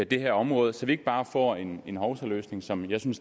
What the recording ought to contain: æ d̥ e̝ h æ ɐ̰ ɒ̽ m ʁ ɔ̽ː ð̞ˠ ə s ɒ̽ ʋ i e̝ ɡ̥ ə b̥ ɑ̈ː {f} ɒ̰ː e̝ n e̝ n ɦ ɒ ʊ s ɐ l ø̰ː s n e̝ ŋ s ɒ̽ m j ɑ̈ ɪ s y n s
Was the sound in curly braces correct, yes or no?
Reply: yes